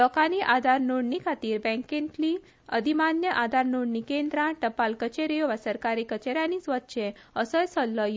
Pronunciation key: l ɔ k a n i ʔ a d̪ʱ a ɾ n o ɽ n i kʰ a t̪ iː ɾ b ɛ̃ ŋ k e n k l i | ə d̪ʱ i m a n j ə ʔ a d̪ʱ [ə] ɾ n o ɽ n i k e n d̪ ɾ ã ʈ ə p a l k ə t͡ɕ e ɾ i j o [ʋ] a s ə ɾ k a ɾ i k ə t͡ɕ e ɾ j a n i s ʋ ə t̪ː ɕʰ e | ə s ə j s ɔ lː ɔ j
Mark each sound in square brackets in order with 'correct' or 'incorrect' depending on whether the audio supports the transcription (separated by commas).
incorrect, correct